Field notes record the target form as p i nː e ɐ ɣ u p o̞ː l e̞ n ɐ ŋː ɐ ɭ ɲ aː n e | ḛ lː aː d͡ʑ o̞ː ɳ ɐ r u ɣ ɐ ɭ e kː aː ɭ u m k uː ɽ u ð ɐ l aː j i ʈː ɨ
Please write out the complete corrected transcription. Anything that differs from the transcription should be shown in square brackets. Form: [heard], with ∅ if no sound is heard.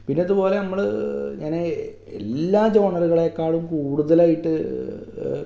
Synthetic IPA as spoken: p i nː e ɐ [ð] u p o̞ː l e̞ n ɐ [mː] ɐ ɭ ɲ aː n e | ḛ lː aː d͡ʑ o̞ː ɳ ɐ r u ɣ ɐ ɭ e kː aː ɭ u m k uː ɽ u ð ɐ l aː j i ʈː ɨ